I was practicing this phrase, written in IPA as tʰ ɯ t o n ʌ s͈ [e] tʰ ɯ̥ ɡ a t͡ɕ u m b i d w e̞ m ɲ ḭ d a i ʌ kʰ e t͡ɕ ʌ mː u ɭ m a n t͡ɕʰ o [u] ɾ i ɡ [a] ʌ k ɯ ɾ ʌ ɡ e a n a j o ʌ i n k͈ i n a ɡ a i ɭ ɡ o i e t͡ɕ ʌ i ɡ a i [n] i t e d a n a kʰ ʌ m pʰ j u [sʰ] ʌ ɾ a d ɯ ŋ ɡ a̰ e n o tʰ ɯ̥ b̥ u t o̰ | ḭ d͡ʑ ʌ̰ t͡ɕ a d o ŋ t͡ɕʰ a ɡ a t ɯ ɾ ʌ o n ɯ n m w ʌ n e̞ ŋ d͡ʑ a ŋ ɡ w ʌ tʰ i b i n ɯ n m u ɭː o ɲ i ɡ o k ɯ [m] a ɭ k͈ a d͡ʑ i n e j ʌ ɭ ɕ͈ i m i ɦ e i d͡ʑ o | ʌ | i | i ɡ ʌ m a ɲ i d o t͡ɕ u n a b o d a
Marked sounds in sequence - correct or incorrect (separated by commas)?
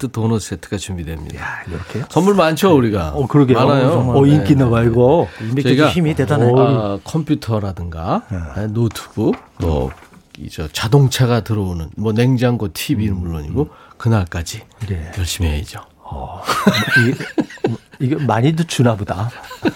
correct, correct, correct, incorrect, incorrect, incorrect